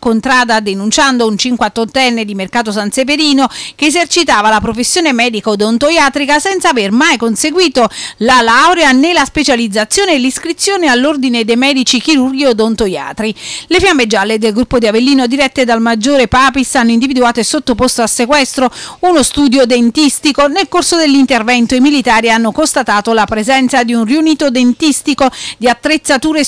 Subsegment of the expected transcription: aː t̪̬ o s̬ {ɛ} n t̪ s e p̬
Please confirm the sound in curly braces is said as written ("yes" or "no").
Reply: no